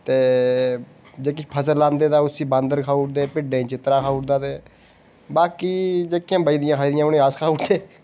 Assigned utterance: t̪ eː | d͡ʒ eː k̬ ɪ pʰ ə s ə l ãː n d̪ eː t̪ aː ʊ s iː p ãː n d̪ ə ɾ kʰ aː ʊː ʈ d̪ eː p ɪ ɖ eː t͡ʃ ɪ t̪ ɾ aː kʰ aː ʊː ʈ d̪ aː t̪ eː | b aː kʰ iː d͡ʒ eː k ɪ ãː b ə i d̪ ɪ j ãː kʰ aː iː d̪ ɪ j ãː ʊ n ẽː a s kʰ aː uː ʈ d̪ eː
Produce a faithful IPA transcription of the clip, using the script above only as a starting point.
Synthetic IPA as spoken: t̪ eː | d͡ʒ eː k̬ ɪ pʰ ə s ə l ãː n d̪ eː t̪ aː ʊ s iː b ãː n d̪ ə ɾ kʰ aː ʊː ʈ d̪ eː p ɪ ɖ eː t͡ʃ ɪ t̪ ɾ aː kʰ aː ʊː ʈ d̪ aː t̪ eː | b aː k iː d͡ʒ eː k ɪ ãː b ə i d̪ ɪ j ãː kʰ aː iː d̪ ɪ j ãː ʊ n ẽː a s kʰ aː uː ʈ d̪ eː